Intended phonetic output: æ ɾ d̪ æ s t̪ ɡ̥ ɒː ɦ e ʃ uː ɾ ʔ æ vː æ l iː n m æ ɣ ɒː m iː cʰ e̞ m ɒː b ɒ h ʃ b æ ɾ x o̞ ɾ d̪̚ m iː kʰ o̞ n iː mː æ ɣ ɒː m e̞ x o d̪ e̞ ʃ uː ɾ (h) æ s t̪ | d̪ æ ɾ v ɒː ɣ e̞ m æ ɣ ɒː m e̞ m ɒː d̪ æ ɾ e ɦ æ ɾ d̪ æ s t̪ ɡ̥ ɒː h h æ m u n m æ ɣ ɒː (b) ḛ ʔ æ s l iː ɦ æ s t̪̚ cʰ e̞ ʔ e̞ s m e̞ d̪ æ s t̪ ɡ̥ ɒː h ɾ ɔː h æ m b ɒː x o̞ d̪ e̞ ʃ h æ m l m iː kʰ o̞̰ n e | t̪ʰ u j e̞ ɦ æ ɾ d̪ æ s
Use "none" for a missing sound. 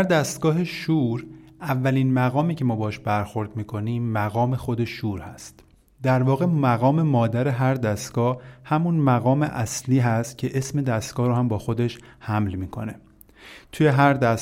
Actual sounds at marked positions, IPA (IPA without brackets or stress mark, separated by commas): h, m